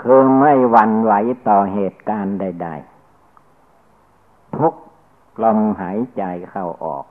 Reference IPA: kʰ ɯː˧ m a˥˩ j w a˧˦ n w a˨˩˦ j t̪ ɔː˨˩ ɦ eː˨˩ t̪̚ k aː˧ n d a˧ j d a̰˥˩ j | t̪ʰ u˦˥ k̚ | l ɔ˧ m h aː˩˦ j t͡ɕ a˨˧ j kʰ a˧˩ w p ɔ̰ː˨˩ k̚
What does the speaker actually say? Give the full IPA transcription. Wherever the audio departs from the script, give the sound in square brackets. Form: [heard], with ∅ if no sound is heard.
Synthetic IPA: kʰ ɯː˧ m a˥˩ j w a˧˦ n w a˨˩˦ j t̪ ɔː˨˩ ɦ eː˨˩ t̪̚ k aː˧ n d [a˥˩] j d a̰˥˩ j | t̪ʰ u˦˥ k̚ | l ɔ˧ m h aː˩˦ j t͡ɕ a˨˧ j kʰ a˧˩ w [ʔ] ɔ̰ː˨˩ k̚